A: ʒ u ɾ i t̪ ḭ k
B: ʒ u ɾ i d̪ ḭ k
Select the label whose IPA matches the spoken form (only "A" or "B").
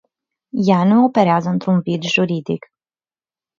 B